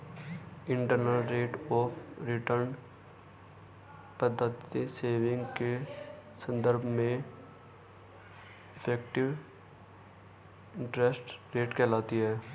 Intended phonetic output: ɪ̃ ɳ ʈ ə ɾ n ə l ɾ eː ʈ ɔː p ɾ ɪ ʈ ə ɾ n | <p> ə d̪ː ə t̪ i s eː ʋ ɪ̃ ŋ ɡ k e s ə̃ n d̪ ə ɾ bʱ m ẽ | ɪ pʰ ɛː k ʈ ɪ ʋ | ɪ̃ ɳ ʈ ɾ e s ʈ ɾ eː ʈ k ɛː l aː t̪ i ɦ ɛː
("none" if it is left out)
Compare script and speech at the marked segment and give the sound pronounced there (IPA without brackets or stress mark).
p